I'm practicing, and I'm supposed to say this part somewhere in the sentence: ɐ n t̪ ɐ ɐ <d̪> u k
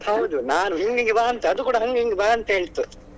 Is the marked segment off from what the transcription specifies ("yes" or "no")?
no